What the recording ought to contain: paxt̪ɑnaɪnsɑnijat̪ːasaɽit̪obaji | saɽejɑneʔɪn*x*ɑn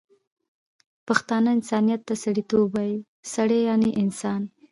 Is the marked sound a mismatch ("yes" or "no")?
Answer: yes